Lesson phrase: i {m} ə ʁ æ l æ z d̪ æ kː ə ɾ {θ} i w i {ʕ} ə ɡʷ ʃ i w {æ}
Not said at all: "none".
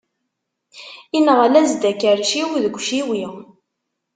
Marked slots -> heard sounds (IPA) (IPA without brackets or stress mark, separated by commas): n, ʃ, ð, i